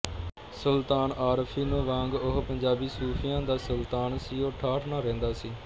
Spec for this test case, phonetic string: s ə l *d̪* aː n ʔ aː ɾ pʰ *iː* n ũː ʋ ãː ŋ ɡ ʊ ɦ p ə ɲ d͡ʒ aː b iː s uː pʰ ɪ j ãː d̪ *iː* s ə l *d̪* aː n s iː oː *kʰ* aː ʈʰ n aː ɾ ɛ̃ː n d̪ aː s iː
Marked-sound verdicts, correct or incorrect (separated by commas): incorrect, correct, incorrect, incorrect, incorrect